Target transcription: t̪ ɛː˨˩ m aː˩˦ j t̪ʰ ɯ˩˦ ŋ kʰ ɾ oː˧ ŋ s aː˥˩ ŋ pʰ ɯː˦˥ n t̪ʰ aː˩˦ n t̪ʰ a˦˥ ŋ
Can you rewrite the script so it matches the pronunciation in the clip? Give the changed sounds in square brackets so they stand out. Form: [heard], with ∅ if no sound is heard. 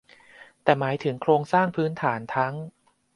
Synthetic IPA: t̪ ɛː˨˩ m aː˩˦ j t̪ʰ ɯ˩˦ ŋ kʰ ɾ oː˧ ŋ s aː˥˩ ŋ pʰ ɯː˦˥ n t̪ʰ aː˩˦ n t̪ʰ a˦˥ ŋ